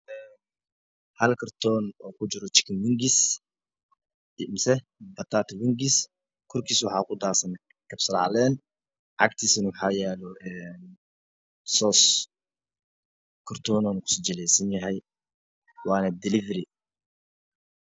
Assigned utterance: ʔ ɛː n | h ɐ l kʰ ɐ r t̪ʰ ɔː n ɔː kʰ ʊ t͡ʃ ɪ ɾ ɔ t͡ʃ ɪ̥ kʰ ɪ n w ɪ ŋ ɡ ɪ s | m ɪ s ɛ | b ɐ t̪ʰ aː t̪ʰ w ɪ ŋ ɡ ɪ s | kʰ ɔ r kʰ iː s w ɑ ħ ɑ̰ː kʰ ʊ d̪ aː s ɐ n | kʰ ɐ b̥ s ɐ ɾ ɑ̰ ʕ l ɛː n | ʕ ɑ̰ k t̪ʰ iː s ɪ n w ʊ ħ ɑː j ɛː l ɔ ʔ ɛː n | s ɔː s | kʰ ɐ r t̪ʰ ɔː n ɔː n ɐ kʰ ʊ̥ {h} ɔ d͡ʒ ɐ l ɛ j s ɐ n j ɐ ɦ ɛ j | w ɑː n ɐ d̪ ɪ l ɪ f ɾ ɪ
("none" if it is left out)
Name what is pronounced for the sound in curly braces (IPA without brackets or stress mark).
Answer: s